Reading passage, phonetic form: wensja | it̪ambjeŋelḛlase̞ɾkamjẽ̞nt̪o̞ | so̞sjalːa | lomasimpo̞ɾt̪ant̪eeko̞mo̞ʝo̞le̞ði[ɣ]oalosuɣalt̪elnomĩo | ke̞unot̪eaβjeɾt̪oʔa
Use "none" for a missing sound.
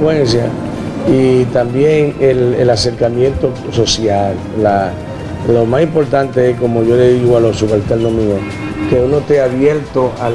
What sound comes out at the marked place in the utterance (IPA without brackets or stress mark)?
ɣ